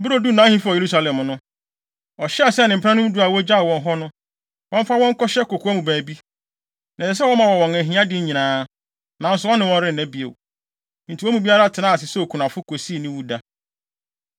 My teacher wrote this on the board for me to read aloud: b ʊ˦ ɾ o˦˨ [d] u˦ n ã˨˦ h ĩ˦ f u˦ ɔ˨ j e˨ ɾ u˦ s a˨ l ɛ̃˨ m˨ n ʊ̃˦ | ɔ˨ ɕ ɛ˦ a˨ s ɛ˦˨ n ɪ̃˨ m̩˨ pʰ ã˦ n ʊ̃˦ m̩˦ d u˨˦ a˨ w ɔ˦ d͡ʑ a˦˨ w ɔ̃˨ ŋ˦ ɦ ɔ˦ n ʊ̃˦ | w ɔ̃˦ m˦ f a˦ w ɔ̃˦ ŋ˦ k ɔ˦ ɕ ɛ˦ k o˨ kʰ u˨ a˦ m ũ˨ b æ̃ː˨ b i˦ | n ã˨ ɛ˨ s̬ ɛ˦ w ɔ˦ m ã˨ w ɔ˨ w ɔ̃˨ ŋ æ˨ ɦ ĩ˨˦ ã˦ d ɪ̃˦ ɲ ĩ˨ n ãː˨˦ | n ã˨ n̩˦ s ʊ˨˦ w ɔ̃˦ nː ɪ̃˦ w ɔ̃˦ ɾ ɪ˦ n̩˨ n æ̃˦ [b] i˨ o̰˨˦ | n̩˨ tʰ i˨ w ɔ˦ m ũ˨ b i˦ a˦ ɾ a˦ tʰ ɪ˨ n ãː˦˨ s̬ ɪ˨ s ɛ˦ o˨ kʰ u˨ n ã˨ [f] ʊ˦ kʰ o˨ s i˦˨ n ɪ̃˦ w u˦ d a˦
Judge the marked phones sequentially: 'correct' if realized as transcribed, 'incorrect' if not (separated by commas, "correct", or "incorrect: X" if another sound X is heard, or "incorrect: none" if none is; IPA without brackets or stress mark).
correct, correct, correct